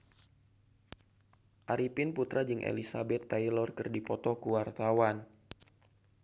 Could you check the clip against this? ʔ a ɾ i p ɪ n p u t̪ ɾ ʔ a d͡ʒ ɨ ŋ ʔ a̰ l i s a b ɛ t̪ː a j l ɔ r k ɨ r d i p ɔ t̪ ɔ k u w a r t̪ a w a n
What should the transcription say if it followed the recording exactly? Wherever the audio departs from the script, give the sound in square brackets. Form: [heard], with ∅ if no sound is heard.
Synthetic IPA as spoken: ʔ a ɾ i p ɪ n p u t̪ ɾ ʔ a d͡ʒ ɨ ŋ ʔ [ḛ] l i s a b ɛ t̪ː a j l ɔ r k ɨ r d i p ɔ t̪ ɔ k u w a r t̪ a w a n